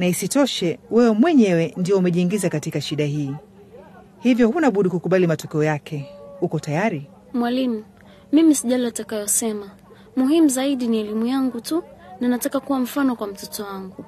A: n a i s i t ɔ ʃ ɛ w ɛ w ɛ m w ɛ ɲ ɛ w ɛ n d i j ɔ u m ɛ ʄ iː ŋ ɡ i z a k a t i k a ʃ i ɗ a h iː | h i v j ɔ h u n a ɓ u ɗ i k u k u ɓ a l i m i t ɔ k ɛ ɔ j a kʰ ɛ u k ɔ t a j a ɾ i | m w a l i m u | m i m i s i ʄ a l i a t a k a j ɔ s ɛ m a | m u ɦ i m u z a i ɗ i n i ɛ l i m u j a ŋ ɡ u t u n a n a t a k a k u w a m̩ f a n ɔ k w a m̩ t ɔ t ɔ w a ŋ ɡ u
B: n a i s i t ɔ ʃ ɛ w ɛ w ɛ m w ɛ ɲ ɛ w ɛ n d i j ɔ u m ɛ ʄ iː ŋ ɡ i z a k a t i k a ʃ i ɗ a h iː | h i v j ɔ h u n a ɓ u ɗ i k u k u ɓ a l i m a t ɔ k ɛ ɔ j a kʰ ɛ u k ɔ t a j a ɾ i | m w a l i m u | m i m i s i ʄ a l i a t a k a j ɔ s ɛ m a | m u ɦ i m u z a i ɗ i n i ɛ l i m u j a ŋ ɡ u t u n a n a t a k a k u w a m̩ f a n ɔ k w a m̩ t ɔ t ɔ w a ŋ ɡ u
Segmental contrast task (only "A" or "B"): B